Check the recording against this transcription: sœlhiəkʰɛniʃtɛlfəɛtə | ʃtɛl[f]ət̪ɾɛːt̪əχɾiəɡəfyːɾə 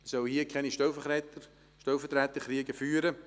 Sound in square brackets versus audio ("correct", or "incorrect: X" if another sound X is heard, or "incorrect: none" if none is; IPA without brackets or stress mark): correct